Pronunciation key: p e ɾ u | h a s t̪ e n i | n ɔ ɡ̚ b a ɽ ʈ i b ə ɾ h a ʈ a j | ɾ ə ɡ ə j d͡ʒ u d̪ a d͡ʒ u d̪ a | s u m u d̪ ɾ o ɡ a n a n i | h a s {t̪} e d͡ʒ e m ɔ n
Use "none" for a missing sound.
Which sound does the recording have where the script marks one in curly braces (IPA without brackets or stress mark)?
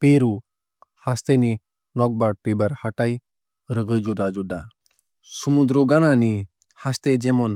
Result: t̪